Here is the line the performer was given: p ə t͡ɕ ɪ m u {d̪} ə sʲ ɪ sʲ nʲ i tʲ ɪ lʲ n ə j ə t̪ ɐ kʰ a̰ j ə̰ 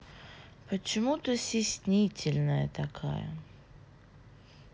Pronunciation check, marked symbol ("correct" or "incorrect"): incorrect